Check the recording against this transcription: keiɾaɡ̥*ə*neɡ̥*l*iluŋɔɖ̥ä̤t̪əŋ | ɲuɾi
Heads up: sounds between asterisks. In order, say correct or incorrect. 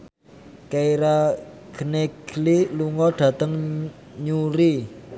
correct, correct

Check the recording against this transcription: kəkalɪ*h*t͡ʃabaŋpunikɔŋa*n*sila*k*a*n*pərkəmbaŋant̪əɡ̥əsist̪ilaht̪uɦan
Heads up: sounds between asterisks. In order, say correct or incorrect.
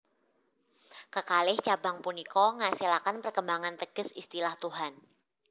correct, incorrect, correct, correct

